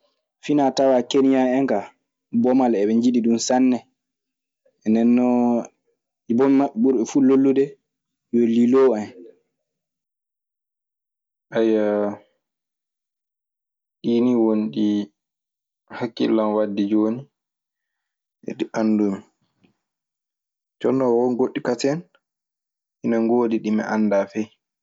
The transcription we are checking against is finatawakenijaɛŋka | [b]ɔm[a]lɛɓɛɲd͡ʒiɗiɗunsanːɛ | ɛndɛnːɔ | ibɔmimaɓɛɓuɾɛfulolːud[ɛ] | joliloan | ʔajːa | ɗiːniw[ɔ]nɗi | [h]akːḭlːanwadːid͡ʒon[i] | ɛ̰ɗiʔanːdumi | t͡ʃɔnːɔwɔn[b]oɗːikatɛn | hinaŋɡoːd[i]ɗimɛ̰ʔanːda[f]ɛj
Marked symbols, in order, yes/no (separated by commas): yes, yes, yes, no, yes, yes, no, yes, yes